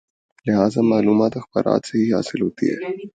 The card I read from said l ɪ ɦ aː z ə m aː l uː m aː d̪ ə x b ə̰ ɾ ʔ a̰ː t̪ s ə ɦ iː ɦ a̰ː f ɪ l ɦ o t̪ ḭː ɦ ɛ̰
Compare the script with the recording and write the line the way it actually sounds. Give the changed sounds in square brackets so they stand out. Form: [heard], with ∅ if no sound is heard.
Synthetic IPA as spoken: l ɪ ɦ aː z [a] m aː l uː m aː [t̪] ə x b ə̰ ɾ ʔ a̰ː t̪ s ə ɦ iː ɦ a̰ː [s] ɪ l ɦ o t̪ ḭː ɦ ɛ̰